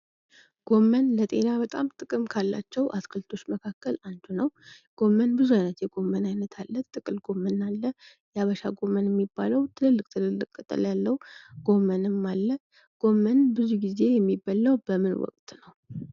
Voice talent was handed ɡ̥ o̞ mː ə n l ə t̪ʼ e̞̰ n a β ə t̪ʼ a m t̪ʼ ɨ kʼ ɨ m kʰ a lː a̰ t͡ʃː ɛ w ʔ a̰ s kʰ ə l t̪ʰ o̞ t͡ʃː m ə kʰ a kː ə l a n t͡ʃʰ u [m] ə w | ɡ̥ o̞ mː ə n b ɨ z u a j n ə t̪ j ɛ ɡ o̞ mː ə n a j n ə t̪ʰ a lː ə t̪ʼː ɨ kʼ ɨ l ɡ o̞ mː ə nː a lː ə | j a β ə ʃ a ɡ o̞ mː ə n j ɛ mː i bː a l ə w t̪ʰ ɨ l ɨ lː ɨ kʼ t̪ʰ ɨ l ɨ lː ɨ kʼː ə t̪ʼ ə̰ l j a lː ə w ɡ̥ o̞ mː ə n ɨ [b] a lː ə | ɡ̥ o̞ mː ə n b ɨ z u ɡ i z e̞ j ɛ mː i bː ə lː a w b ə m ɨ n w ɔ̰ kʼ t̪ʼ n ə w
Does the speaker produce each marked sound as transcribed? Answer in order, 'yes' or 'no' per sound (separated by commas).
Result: no, no